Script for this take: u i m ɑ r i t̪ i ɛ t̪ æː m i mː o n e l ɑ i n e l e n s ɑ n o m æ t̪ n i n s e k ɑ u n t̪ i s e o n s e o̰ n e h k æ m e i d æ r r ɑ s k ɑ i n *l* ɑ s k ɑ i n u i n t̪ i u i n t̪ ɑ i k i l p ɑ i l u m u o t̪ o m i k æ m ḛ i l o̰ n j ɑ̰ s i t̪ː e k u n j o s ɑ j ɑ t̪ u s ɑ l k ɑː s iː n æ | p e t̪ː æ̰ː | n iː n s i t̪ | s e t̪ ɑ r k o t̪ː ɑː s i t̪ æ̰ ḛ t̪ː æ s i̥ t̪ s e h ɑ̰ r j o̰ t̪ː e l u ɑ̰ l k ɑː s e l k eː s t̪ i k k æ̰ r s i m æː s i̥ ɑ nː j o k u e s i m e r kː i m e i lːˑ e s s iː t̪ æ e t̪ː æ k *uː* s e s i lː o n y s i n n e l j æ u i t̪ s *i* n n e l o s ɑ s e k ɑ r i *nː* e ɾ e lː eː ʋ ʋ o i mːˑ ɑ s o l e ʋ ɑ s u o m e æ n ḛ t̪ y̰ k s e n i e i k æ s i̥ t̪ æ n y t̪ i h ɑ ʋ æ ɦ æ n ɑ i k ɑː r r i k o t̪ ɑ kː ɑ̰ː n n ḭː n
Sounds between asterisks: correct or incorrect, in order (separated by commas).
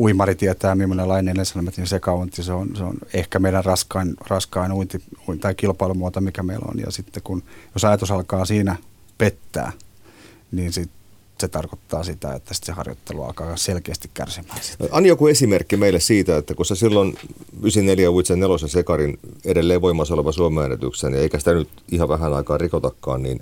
incorrect, incorrect, incorrect, incorrect